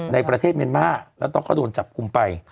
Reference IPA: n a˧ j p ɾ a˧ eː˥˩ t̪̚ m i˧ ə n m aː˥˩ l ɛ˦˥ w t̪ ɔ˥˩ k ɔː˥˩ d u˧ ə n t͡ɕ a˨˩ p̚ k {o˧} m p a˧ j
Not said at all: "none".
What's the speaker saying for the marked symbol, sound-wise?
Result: u˧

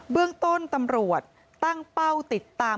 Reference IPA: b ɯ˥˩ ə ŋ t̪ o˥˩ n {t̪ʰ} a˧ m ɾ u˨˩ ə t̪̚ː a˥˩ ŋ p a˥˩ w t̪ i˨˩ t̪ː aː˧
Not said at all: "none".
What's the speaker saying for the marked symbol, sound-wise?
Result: t̪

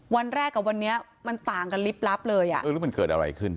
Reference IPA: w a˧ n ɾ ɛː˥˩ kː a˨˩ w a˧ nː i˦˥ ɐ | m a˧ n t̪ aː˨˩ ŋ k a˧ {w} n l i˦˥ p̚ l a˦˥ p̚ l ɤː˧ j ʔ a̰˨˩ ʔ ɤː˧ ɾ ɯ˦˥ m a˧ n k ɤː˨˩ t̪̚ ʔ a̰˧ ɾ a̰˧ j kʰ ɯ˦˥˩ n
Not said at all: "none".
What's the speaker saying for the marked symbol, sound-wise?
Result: none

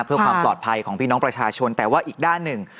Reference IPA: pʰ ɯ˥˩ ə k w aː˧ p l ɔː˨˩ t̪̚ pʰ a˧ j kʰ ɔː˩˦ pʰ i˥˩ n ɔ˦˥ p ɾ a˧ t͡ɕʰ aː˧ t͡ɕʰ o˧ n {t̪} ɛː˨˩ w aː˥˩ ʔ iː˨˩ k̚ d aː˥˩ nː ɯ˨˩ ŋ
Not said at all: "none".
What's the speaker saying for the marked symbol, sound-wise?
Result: t̪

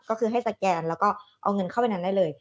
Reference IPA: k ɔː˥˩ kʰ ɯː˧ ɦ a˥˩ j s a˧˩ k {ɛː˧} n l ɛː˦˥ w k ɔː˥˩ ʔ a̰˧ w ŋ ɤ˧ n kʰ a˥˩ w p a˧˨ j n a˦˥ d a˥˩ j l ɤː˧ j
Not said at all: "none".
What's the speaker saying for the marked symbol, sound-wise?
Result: ɛː˧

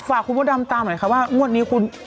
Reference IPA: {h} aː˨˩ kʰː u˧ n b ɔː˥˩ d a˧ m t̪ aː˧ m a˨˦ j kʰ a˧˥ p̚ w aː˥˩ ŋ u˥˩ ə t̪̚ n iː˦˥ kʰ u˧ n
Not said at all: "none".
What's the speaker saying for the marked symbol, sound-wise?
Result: f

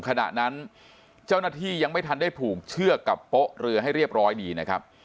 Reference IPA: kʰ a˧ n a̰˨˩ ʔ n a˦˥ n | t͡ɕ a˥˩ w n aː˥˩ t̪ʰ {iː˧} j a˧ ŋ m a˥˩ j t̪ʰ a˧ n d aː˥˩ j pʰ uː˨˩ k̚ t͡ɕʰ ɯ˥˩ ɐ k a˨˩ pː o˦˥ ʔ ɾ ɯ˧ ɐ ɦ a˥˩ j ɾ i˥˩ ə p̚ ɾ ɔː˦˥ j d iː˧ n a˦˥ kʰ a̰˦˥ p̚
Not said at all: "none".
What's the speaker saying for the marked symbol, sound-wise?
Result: iː˥˩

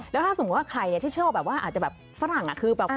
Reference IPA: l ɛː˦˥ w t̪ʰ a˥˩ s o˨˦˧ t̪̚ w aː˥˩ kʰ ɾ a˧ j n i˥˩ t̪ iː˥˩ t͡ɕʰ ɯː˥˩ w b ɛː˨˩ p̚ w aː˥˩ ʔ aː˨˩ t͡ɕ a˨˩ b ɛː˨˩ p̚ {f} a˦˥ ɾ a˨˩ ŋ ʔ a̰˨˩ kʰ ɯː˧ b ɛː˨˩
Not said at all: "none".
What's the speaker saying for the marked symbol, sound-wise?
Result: f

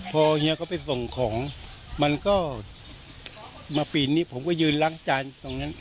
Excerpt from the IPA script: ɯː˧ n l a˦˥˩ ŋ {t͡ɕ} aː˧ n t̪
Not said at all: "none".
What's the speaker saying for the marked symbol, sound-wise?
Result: t͡ɕ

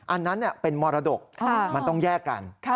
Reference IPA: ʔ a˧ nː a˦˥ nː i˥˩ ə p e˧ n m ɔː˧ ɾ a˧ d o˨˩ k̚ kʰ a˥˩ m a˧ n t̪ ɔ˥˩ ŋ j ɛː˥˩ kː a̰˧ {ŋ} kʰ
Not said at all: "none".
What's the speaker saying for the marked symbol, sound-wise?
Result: n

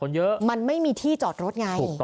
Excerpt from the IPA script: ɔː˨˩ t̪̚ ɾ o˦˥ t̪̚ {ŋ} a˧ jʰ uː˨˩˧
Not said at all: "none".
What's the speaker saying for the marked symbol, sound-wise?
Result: ŋ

